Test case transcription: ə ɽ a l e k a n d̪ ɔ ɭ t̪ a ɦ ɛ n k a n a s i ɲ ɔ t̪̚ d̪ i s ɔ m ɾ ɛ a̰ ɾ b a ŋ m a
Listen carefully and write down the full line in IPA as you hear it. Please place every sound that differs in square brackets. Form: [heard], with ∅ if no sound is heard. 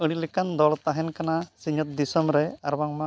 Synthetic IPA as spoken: ə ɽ [i] l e k a n d̪ ɔ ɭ t̪ a ɦ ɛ n k a n a s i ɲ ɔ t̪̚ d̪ i s ɔ m ɾ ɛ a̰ ɾ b a ŋ m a